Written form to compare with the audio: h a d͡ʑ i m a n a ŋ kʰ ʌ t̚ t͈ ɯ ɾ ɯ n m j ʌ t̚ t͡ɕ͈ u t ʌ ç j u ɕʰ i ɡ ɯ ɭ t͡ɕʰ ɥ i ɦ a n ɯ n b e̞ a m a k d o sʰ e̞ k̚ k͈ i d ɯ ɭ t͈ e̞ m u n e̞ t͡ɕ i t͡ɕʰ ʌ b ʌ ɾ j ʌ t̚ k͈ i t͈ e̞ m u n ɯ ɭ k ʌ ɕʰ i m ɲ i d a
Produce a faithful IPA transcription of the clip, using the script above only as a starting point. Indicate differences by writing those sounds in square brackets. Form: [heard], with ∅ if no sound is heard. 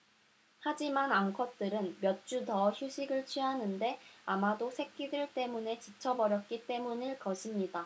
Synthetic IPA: h a d͡ʑ i m a n a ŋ kʰ ʌ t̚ t͈ ɯ ɾ ɯ n m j ʌ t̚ t͡ɕ͈ u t ʌ ç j u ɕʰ i ɡ ɯ ɭ t͡ɕʰ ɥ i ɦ a n ɯ n [d] e̞ a m a [∅] d o sʰ e̞ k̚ k͈ i d ɯ ɭ t͈ e̞ m u n e̞ t͡ɕ i t͡ɕʰ ʌ b ʌ ɾ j ʌ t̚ k͈ i t͈ e̞ m u n ɯ ɭ k ʌ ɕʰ i m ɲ i d a